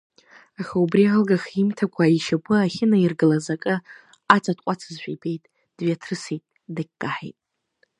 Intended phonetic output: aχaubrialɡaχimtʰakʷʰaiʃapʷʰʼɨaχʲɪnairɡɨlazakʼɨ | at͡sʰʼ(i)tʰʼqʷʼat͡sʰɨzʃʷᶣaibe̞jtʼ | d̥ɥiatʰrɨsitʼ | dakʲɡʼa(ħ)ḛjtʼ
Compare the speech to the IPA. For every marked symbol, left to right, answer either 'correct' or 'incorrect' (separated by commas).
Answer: incorrect, correct